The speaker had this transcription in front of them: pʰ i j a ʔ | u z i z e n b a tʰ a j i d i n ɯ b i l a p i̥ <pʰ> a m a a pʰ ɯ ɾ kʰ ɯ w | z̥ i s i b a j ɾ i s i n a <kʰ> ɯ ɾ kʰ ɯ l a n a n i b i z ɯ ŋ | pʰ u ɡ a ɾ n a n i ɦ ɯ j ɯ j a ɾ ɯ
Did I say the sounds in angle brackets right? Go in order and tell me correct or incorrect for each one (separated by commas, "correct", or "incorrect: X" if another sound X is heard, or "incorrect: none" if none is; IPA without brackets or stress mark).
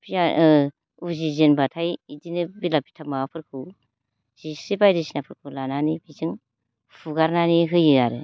incorrect: tʰ, incorrect: pʰ